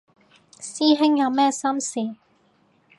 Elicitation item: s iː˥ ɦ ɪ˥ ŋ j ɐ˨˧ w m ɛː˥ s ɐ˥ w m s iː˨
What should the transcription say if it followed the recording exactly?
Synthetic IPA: s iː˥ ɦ ɪ˥ ŋ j ɐ˨˧ w m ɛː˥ s ɐ˥ m s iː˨